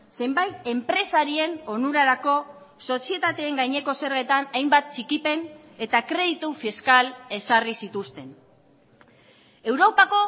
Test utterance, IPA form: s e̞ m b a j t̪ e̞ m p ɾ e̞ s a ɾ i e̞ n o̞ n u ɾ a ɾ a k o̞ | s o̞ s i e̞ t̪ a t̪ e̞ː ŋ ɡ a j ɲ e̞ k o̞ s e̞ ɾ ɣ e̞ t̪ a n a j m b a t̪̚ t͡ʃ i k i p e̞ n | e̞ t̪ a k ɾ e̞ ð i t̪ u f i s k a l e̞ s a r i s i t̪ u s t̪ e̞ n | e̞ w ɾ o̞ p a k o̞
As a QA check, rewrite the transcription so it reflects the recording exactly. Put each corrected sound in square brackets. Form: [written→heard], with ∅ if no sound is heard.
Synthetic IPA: s e̞ m b a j t̪ e̞ m p ɾ e̞ s a ɾ i e̞ n o̞ n u ɾ a ɾ a k o̞ | s o̞ s i e̞ t̪ a t̪ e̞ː ŋ ɡ a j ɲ e̞ k o̞ s e̞ ɾ ɣ e̞ t̪ a n a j m b a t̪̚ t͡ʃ i k i p e̞ n | e̞ t̪ a k ɾ e̞ ð i t̪ u f i s k a l e̞ s a r i s i t̪ u s t̪ e̞ n | e̞ w ɾ o̞ p a k o̞